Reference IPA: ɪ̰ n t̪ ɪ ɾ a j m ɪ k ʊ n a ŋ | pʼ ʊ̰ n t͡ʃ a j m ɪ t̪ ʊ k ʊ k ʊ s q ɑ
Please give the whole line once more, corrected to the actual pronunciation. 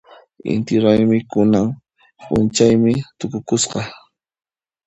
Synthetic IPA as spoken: ɪ̰ n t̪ ɪ ɾ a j m ɪ k ʊ n a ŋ | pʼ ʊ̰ n t͡ʃ a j m ɪ t̪ ʊ k ʊ k ʊ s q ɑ